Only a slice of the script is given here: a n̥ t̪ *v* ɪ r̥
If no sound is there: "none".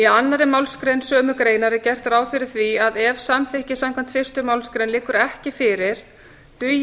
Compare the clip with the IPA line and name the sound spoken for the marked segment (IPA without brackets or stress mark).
f